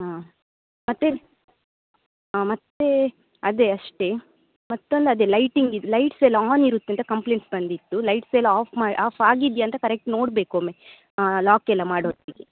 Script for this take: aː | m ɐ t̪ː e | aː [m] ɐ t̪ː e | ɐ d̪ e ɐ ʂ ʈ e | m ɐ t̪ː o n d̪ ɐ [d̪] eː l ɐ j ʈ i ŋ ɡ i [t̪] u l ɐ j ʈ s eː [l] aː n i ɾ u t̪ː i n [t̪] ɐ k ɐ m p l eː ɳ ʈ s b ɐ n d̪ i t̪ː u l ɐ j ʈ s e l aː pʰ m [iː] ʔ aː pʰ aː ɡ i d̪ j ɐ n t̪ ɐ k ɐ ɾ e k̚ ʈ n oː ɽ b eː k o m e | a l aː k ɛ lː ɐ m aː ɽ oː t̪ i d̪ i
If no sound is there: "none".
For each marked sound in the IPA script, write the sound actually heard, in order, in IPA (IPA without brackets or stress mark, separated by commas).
m, d̪, d̪, l, t̪, aː